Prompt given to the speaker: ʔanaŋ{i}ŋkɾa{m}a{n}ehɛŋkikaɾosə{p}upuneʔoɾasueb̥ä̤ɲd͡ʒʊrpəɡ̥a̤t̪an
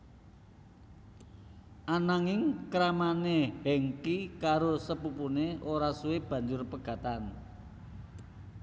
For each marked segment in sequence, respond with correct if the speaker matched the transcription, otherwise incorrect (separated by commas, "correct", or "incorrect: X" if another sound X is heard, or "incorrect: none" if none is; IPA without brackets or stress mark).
incorrect: ɪ, correct, correct, correct